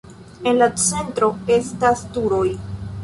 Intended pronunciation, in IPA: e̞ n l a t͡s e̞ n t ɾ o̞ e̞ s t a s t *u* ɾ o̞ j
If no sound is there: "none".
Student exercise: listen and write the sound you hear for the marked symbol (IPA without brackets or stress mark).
u